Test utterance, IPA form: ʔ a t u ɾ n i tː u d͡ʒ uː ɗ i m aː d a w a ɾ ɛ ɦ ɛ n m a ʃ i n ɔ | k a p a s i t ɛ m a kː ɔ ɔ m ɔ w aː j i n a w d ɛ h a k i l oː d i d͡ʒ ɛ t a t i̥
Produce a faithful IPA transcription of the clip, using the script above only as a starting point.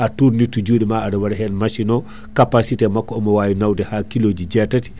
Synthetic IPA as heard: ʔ a t u ɾ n i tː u d͡ʒ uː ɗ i m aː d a w a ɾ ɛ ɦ ɛ n m a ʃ i n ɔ | k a p a s i t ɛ m a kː ɔ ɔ m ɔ w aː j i n a w d ɛ h a k i l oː d͡ʒ i d͡ʒ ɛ t a t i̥